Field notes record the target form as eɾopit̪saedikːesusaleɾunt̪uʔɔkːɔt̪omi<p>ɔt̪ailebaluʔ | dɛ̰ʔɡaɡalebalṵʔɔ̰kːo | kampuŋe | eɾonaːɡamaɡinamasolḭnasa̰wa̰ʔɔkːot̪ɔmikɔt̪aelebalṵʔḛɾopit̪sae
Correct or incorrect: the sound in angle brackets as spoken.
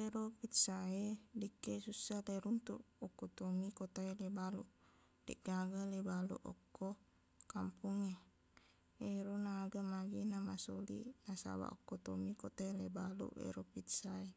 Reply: incorrect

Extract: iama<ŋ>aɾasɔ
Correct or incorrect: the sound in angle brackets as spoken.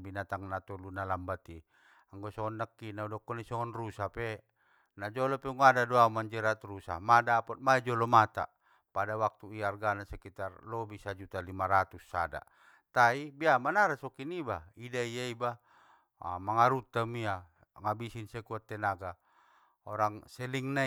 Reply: incorrect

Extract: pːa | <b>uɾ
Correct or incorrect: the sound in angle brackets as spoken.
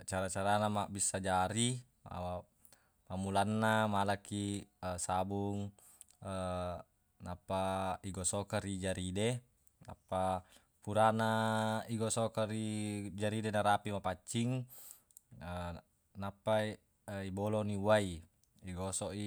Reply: incorrect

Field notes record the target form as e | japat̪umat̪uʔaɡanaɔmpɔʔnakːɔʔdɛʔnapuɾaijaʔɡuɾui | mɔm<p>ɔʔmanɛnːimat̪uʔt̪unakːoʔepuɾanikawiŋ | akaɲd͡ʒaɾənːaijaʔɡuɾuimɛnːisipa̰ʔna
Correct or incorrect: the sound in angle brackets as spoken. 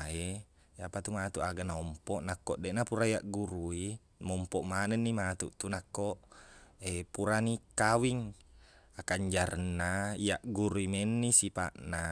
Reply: correct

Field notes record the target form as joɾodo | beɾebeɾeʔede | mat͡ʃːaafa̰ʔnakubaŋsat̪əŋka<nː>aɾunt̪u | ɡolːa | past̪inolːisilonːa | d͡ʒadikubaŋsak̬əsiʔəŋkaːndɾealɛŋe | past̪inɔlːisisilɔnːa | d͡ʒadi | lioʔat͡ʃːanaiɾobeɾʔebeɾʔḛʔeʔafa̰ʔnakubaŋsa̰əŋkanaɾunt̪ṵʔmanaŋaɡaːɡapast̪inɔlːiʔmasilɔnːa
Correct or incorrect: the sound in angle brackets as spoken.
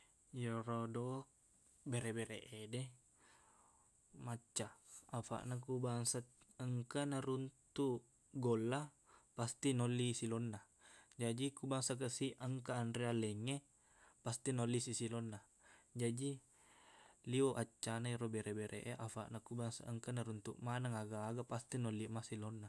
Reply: incorrect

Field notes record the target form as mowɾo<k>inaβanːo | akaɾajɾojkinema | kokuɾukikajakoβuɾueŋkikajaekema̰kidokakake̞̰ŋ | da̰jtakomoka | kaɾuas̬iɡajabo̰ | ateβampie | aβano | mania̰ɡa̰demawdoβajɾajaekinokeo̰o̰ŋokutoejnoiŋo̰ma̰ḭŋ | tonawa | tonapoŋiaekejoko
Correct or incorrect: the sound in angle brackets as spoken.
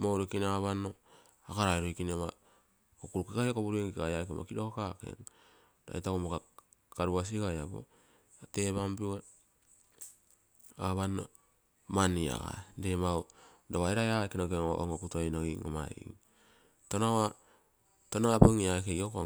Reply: correct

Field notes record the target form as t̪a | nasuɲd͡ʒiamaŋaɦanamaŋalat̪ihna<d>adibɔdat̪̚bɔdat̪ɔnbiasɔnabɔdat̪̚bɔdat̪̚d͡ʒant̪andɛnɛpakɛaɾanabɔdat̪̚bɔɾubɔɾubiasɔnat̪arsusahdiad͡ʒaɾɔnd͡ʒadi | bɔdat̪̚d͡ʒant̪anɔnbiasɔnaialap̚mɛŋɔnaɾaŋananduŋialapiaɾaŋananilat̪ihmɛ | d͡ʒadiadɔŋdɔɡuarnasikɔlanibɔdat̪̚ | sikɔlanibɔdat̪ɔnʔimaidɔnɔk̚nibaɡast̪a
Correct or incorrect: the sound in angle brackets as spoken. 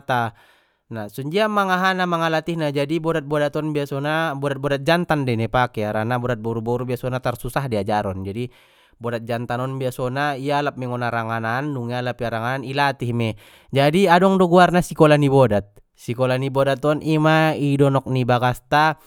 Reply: incorrect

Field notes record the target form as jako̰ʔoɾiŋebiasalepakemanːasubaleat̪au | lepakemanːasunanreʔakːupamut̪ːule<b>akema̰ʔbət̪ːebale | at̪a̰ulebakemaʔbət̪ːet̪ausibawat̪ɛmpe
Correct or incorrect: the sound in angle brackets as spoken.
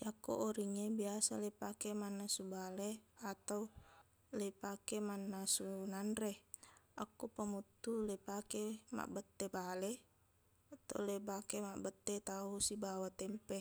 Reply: incorrect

